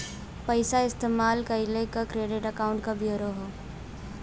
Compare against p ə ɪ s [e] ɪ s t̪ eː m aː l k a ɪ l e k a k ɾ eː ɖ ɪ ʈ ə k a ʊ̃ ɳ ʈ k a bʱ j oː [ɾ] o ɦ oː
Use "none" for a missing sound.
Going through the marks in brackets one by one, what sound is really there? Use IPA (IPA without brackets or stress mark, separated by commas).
a, ɾ